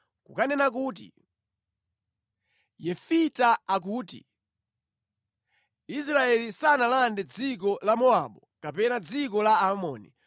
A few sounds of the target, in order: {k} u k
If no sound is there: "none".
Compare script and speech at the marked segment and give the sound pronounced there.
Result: k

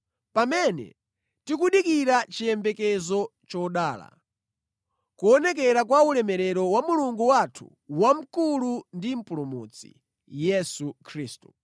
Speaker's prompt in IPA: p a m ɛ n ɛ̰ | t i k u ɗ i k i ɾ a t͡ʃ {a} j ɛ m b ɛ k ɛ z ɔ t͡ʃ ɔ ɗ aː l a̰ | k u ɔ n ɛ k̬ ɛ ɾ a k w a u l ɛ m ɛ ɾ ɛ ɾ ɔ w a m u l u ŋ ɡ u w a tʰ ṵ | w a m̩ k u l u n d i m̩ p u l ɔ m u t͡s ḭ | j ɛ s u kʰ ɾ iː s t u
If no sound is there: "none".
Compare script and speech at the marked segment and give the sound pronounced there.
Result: i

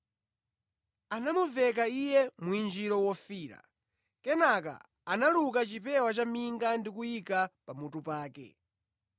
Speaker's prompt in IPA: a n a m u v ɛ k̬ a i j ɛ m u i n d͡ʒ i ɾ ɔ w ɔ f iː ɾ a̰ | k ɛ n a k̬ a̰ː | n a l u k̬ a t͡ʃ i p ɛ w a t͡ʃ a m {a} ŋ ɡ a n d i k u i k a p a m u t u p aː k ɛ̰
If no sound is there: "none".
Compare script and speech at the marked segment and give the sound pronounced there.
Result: i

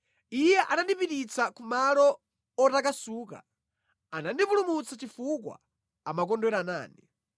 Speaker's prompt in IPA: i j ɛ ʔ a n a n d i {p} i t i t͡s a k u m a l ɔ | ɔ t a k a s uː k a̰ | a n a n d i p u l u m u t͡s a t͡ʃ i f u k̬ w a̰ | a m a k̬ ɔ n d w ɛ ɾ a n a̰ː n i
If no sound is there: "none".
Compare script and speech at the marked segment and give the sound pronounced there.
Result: p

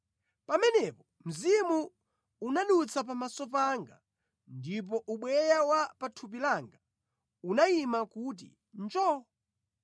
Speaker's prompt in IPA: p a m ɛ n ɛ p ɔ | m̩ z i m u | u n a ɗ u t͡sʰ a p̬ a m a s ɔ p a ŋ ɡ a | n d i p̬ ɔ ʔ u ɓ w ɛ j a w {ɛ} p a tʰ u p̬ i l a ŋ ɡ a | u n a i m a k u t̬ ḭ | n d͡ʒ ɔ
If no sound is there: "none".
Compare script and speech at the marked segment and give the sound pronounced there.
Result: a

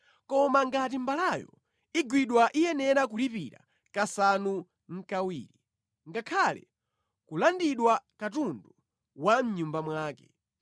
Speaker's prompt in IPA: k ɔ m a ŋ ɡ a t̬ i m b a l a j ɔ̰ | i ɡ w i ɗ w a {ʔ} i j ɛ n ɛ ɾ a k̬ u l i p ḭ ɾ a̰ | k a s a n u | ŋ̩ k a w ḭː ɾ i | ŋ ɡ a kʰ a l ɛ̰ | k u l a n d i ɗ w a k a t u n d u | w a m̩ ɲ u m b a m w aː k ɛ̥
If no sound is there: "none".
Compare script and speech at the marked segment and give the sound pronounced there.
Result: ʔ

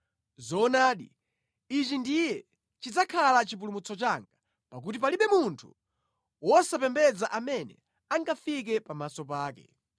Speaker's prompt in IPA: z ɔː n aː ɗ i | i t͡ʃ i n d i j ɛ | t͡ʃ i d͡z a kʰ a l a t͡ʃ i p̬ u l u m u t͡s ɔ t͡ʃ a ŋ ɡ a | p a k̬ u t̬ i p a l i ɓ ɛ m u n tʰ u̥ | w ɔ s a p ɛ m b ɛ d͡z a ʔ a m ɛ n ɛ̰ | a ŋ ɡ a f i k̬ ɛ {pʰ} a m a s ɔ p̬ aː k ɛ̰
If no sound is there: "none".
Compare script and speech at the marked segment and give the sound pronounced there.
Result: p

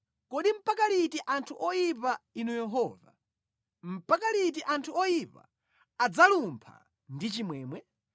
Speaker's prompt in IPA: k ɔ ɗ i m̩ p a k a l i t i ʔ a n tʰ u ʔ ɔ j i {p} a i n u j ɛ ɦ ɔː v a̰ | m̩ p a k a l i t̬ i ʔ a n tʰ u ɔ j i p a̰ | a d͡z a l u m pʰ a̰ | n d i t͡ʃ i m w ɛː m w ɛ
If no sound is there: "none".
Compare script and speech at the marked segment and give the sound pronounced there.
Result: p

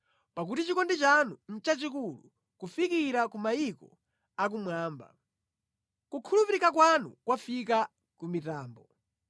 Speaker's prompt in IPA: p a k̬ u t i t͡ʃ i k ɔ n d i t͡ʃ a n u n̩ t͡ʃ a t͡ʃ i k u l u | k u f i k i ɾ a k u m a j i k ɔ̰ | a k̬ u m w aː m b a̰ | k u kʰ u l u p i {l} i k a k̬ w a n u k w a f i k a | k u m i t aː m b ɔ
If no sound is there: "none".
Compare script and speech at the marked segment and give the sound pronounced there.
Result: ɾ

